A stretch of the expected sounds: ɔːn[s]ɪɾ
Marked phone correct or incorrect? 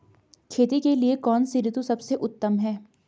correct